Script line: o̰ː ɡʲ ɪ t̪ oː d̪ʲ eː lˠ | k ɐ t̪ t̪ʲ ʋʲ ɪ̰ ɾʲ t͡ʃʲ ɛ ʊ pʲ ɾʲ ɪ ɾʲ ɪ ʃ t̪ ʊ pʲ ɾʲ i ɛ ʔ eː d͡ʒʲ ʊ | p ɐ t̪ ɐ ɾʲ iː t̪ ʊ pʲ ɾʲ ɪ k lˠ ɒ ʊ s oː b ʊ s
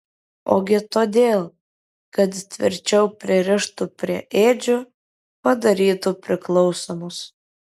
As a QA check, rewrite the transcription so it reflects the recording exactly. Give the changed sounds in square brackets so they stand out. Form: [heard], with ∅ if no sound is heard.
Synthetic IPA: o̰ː ɡʲ ɪ t̪ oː d̪ʲ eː lˠ | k ɐ t̪ t̪ʲ ʋʲ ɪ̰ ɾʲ t͡ʃʲ ɛ ʊ pʲ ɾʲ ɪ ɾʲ ɪ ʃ t̪ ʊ pʲ ɾʲ i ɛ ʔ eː d͡ʒʲ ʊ | p ɐ [d̪] ɐ ɾʲ iː t̪ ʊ pʲ ɾʲ ɪ k lˠ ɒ ʊ s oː [m] ʊ s

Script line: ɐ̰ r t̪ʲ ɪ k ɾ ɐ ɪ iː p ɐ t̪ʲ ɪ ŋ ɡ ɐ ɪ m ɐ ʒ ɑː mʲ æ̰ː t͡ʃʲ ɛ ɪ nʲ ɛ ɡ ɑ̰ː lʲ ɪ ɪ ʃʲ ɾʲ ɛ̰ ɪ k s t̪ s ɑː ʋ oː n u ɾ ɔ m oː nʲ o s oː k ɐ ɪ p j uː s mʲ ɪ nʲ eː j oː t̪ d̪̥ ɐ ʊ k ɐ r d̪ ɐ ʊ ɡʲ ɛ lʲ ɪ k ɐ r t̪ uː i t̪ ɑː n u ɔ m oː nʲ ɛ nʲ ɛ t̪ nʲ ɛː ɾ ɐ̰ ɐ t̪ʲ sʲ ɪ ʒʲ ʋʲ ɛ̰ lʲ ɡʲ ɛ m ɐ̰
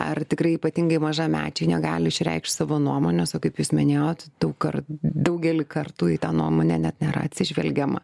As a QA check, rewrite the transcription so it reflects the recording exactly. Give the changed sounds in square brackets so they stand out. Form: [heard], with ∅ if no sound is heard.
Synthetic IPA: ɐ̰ r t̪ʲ ɪ k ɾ ɐ ɪ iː p ɐ t̪ʲ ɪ ŋ ɡ ɐ ɪ m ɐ ʒ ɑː mʲ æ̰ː t͡ʃʲ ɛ ɪ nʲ ɛ ɡ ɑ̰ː lʲ ɪ ɪ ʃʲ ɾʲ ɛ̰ ɪ k [ʃ] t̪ s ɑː ʋ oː n u [∅] ɔ m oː nʲ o s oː k ɐ ɪ p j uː s mʲ ɪ nʲ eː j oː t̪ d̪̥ ɐ ʊ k ɐ r d̪ ɐ ʊ ɡʲ ɛ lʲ ɪ k ɐ r t̪ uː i t̪ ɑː n u ɔ m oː nʲ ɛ nʲ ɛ t̪ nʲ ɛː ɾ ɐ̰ ɐ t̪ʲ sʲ ɪ ʒʲ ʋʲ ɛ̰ lʲ ɡʲ ɛ m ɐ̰

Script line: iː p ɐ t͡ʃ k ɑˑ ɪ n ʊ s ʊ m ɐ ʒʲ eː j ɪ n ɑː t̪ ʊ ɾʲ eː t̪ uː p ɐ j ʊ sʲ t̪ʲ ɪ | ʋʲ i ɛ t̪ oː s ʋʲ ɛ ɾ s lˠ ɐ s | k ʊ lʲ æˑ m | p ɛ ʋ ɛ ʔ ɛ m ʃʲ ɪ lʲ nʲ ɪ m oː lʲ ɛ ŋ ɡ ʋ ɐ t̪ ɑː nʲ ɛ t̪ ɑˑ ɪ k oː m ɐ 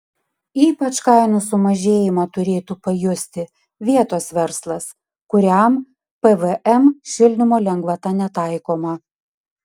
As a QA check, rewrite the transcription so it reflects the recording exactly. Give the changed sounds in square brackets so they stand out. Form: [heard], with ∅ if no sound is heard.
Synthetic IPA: iː p ɐ t͡ʃ k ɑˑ ɪ n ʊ s ʊ m ɐ ʒʲ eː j ɪ [m] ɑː t̪ ʊ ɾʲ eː t̪ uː p ɐ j ʊ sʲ t̪ʲ ɪ | ʋʲ i ɛ t̪ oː s ʋʲ ɛ ɾ s lˠ ɐ s | k ʊ [ɾʲ] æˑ m | p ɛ ʋ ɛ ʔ ɛ m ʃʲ ɪ lʲ nʲ ɪ m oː lʲ ɛ ŋ ɡ ʋ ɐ t̪ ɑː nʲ ɛ t̪ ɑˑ ɪ k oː m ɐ

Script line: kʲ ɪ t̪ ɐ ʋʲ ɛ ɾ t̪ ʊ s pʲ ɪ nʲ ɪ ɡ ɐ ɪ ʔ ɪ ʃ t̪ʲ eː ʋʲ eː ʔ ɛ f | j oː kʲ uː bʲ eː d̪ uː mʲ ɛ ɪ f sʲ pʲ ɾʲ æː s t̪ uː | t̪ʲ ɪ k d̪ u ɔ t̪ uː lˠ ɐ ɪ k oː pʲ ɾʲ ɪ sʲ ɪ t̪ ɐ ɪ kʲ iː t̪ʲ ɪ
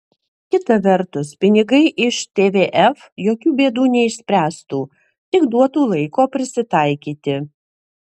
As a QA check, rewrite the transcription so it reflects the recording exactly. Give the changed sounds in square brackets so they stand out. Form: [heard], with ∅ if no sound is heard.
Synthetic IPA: kʲ ɪ t̪ ɐ ʋʲ ɛ ɾ t̪ ʊ s pʲ ɪ nʲ ɪ ɡ ɐ ɪ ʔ ɪ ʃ t̪ʲ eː ʋʲ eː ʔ ɛ f | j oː kʲ uː bʲ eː d̪ uː [nʲ] ɛ ɪ [ʃ] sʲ pʲ ɾʲ æː s t̪ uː | t̪ʲ ɪ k d̪ u ɔ t̪ uː lˠ ɐ ɪ k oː pʲ ɾʲ ɪ sʲ ɪ t̪ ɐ ɪ kʲ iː t̪ʲ ɪ

